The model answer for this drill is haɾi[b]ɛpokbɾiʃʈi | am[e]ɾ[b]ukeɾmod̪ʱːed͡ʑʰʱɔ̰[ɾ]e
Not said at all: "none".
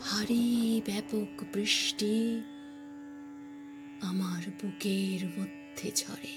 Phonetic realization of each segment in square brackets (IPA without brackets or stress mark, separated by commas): b, a, b, ɾ